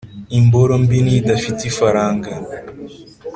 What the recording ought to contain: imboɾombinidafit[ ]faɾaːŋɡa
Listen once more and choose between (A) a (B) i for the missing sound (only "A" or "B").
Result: B